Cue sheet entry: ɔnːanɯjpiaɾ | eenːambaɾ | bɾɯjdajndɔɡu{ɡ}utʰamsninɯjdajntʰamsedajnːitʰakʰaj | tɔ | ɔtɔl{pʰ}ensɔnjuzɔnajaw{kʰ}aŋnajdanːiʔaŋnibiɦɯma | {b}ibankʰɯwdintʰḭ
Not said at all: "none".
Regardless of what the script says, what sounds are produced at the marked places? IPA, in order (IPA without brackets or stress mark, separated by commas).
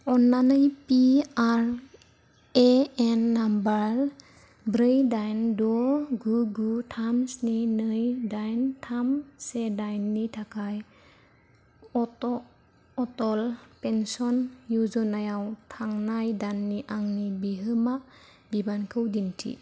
ɡ, p, tʰ, b